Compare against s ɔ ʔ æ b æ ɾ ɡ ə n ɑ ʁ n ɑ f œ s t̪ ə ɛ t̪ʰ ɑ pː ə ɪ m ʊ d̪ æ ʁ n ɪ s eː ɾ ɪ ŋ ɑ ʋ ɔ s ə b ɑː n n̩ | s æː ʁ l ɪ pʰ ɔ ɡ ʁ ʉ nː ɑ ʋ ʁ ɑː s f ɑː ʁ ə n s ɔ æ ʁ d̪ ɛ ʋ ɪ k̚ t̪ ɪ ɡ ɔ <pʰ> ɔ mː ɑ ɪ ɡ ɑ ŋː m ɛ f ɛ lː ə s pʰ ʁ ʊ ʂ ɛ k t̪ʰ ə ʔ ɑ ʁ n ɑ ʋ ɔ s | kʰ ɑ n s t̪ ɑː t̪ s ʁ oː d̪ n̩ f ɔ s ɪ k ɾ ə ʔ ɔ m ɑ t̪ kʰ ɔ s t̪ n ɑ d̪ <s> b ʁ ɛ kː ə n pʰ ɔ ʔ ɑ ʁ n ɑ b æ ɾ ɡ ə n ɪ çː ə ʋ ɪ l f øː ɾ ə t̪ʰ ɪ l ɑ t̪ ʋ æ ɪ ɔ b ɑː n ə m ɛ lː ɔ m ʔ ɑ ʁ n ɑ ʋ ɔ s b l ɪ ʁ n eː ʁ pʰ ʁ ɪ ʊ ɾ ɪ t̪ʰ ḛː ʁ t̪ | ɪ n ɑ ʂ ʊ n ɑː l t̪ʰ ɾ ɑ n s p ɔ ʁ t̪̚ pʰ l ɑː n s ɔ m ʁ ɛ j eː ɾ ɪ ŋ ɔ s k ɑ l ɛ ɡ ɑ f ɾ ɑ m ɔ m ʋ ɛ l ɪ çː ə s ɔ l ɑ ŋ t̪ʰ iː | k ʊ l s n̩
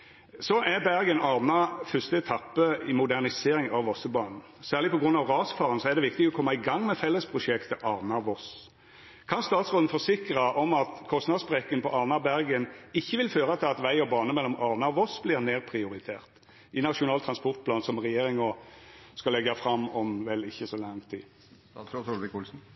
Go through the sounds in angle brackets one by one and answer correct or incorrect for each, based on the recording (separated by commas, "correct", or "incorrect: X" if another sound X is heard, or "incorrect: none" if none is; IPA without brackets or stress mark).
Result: incorrect: kʰ, correct